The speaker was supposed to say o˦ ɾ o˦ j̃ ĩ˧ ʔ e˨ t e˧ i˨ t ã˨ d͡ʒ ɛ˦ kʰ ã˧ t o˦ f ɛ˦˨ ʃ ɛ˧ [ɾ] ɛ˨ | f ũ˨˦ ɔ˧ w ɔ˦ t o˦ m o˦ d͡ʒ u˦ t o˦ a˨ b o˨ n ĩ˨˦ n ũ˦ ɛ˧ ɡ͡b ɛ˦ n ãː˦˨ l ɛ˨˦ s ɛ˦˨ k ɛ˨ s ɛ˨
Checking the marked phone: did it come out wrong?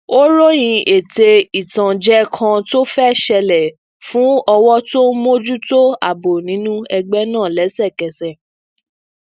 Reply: yes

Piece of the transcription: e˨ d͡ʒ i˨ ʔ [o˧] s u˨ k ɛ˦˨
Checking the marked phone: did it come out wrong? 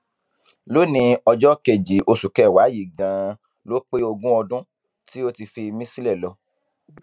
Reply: no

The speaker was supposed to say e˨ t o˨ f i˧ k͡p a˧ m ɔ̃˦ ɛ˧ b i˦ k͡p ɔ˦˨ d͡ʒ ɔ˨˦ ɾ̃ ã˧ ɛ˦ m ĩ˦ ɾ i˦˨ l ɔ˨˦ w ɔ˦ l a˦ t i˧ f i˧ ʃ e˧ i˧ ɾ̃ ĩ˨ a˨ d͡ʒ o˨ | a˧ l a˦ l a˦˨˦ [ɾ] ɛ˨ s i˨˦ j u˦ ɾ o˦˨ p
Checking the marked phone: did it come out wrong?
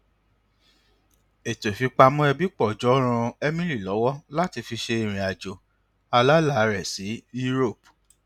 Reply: no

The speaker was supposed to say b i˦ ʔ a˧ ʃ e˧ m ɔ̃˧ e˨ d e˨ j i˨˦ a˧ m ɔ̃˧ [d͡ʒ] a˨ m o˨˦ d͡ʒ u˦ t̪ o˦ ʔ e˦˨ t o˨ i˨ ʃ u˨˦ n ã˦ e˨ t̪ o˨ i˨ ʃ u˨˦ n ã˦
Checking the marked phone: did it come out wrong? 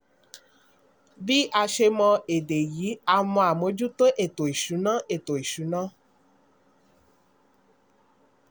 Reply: yes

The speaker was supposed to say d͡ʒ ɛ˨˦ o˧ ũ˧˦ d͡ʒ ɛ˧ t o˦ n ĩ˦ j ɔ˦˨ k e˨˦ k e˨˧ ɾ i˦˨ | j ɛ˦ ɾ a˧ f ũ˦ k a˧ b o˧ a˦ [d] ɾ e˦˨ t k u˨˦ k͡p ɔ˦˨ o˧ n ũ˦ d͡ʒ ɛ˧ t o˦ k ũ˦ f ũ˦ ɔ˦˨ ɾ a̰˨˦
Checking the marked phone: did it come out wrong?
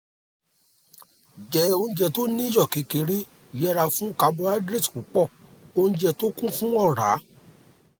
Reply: no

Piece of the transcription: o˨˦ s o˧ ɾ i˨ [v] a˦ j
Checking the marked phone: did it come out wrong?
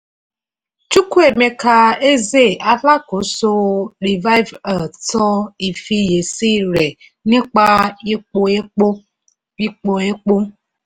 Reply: no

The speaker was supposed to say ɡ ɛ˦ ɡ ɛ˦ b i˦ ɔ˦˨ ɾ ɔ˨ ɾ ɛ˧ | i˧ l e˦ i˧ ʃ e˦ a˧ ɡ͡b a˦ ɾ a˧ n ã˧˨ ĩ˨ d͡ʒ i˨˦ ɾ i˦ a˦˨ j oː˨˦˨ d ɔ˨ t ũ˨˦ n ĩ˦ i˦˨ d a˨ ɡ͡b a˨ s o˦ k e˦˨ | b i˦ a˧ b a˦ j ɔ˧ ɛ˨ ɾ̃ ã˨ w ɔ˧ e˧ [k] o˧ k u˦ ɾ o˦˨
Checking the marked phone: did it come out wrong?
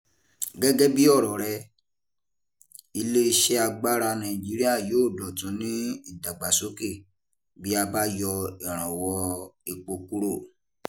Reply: yes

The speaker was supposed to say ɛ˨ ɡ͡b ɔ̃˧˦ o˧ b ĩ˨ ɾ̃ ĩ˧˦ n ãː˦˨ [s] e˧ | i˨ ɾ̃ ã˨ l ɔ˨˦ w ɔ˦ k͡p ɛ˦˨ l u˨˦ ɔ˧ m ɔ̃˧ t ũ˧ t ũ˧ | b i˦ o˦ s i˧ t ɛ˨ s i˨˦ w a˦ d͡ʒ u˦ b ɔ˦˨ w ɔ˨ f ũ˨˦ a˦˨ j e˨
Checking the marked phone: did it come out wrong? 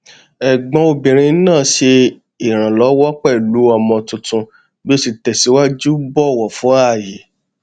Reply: yes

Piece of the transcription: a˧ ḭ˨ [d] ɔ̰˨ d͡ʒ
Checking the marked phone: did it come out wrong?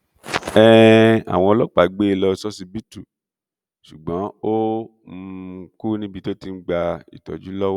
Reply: yes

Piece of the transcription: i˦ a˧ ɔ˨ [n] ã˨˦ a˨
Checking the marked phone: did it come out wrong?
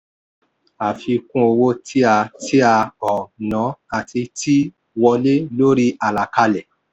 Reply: no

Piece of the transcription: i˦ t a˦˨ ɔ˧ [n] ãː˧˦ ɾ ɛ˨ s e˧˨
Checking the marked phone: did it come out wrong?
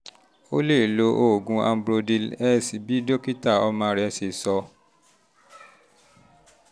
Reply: yes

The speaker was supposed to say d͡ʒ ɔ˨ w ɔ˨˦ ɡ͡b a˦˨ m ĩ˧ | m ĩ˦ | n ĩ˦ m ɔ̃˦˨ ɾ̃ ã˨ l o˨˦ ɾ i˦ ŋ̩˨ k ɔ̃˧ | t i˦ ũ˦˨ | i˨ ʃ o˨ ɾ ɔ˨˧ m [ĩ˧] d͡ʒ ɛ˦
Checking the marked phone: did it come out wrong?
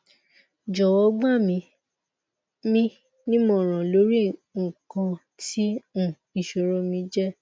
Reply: no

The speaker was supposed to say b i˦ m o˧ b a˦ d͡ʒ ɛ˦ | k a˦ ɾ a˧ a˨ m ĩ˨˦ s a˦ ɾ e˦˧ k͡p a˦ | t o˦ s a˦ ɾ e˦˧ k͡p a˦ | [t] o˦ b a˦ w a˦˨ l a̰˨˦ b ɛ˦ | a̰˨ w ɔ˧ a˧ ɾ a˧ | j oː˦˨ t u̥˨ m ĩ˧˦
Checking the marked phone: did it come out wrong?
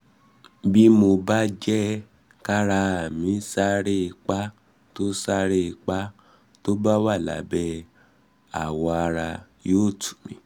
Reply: no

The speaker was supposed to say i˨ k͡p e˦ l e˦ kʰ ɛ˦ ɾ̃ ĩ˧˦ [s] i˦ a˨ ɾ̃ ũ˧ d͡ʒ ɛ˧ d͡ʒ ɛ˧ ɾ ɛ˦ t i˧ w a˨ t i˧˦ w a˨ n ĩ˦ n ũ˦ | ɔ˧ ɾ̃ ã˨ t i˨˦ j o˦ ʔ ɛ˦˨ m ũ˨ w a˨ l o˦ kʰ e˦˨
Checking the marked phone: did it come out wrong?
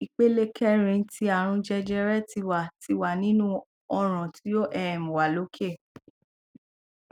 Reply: yes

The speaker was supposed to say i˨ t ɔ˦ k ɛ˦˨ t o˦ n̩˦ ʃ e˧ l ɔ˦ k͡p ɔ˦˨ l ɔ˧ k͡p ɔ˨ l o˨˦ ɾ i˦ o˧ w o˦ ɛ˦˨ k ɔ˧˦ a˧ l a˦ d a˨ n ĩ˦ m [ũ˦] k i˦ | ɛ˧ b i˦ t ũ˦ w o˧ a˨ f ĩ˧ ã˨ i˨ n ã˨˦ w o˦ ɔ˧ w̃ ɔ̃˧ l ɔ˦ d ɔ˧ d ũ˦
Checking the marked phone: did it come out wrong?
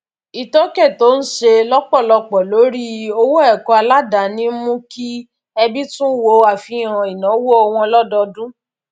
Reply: no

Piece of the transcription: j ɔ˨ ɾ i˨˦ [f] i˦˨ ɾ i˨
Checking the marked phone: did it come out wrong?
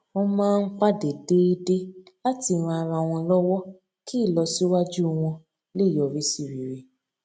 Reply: yes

